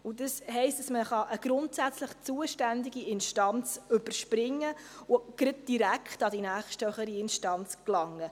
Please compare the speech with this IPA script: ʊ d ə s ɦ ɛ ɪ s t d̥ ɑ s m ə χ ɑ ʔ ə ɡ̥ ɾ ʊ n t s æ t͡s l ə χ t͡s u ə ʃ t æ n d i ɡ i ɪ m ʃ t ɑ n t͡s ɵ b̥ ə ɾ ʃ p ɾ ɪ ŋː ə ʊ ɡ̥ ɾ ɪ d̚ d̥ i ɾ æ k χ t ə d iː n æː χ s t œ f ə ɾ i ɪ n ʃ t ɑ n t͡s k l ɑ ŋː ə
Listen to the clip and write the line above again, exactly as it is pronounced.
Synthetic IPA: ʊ d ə s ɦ ɛ ɪ s t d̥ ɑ s m ə χ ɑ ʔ ə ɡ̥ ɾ ʊ n t s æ t͡s l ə χ t͡s u ə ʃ t æ n d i ɡ i ɪ n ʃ t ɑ n t͡s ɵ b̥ ə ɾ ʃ p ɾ ɪ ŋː ə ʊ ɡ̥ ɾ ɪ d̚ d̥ i ɾ æ k χ t ɑ d i n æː χ ʃ t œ χ ə ɾ i ɪ n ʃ t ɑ n t͡s k l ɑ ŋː ə